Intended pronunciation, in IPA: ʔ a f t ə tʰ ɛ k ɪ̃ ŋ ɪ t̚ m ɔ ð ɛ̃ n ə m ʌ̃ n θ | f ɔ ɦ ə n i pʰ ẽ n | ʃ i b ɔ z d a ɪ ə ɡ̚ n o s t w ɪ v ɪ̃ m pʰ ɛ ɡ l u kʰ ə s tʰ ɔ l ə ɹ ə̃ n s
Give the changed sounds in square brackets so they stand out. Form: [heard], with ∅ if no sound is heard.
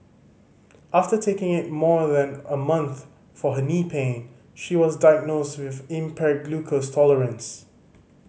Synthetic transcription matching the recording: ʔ a f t ə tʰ [e] k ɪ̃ ŋ ɪ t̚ m ɔ ð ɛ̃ n ə m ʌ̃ n θ | f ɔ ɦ ə n i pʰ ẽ n | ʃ i [w] ɔ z d a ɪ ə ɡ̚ n o s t w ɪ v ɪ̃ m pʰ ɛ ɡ l u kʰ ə s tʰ ɔ l ə ɹ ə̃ n s